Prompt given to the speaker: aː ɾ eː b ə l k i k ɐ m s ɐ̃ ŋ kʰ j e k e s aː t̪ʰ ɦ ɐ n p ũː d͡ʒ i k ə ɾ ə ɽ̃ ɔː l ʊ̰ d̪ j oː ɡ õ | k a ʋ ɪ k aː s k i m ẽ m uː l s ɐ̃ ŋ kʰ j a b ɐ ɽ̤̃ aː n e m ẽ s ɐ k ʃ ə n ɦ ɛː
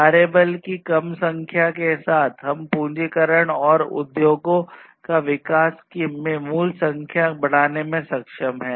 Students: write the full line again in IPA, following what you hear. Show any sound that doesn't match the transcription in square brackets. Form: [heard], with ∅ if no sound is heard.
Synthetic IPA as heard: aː ɾ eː b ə l k i k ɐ m s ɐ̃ ŋ kʰ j [a] k e s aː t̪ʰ ɦ ɐ [m] p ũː d͡ʒ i k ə ɾ ə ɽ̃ ɔː [ɾ] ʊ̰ d̪ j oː ɡ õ | k a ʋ ɪ k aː s k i m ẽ m uː l s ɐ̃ ŋ kʰ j a b ɐ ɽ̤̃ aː n e m ẽ s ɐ k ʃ ə [m] ɦ ɛː